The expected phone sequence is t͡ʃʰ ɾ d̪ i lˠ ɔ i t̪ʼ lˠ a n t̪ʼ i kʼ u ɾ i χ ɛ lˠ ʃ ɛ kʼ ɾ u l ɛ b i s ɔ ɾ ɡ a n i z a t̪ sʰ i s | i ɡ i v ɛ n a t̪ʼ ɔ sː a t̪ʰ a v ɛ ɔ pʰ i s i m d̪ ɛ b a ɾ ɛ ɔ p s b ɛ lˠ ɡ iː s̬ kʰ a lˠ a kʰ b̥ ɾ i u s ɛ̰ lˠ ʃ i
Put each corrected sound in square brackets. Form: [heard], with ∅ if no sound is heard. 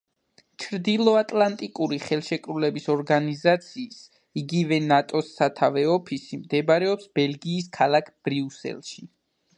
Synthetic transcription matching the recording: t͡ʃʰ ɾ d̪ i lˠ ɔ [a] t̪ʼ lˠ a n t̪ʼ i kʼ u ɾ i χ ɛ lˠ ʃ ɛ kʼ ɾ u l ɛ b i s ɔ ɾ ɡ a n i z a t̪ sʰ [iː] s | i ɡ i v ɛ n a t̪ʼ ɔ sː a t̪ʰ a v ɛ ɔ pʰ i s i m d̪ ɛ b a ɾ ɛ ɔ p s b ɛ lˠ ɡ iː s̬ kʰ a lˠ a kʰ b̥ ɾ i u s ɛ̰ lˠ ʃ i